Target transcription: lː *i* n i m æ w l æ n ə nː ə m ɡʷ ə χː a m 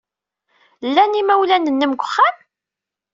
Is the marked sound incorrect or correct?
incorrect: æ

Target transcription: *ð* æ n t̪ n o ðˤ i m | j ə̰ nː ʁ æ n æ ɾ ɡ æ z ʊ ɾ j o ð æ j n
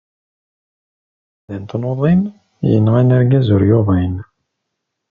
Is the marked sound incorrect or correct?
correct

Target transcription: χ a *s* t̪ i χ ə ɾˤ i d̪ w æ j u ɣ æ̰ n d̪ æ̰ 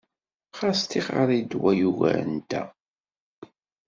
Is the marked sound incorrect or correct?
correct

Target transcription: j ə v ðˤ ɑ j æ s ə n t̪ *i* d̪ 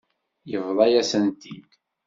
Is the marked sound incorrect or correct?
correct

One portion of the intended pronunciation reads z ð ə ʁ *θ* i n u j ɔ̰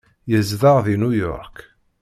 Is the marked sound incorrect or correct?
incorrect: ð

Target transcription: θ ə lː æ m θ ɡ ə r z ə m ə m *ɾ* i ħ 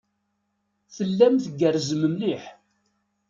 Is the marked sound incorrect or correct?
incorrect: l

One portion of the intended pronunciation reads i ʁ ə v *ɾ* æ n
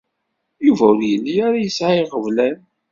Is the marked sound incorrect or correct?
incorrect: l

